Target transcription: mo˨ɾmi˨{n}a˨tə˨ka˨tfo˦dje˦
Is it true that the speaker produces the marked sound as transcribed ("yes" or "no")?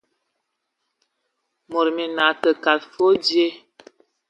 yes